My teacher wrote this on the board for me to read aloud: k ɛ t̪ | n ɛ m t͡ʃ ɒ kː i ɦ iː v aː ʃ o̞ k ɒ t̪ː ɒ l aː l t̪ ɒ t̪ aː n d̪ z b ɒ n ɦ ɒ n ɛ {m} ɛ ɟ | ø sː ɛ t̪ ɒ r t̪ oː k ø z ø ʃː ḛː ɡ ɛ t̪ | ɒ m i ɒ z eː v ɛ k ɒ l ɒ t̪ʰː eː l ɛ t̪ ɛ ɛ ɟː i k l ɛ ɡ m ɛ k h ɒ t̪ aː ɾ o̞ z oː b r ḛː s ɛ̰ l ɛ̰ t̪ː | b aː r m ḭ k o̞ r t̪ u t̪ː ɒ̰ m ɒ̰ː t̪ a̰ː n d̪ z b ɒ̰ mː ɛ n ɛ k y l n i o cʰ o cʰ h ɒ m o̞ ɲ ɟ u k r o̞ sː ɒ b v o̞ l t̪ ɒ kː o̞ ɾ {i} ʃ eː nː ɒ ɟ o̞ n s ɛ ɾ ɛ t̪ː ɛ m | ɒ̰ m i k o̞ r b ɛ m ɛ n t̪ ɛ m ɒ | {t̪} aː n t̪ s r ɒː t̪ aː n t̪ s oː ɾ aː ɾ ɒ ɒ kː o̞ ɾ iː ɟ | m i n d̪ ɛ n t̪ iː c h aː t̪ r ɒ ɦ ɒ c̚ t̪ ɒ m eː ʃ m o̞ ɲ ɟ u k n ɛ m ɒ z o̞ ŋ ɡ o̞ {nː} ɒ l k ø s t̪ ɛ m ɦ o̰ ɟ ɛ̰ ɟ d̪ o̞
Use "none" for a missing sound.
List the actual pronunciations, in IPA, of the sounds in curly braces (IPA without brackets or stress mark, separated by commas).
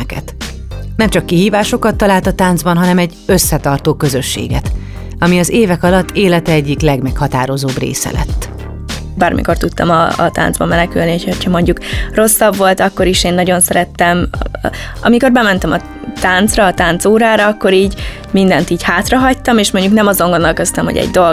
m, i, t̪, nː